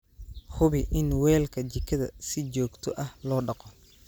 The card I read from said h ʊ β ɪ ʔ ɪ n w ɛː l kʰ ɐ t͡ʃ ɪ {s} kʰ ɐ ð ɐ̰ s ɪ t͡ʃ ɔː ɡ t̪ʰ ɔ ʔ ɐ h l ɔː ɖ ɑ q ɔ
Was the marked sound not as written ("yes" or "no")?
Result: yes